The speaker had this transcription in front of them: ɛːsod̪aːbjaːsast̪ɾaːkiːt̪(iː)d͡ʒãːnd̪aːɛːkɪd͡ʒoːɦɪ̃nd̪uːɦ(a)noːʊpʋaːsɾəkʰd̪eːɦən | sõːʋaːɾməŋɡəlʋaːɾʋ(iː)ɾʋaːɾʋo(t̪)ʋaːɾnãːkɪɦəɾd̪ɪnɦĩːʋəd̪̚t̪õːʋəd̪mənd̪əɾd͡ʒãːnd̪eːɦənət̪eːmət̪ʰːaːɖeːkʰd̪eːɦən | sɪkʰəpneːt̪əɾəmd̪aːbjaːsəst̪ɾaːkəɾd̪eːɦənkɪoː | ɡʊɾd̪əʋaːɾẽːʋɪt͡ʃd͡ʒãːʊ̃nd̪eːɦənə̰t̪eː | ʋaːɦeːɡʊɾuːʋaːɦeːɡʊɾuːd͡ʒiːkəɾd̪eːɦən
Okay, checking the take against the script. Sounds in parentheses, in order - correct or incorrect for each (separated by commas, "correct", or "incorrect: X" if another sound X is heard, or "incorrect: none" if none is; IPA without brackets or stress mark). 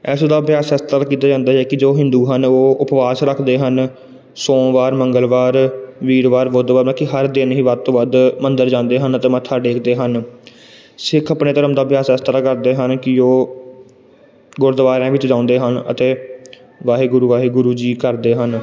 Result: incorrect: aː, incorrect: ə, correct, incorrect: d̪